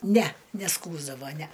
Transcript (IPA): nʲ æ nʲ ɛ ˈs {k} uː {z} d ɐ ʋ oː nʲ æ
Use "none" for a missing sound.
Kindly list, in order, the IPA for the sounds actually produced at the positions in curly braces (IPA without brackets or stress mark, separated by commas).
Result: k, z